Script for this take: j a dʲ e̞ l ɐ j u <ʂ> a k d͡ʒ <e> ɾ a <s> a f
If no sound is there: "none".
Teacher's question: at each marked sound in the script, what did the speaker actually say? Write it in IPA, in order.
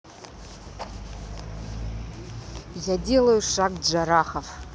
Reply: ʂ, a, χ

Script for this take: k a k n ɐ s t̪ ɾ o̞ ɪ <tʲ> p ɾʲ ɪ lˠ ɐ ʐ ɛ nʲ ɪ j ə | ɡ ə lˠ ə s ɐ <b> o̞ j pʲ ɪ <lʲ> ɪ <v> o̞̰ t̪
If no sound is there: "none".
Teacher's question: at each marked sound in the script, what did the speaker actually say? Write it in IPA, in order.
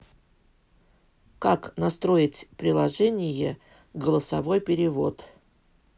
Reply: tʲ, v, ɾʲ, v

